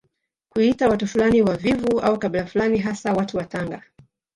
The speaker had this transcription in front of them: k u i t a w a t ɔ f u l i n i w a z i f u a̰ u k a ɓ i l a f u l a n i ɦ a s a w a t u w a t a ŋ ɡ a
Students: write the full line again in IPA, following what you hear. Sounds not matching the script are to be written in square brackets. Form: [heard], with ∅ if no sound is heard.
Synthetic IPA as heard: k u i t a w a t [u] f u l [a] n i w a [v] i [v] u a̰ u k a ɓ i l a f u l a n i ɦ a s a w a t u w a t a ŋ ɡ a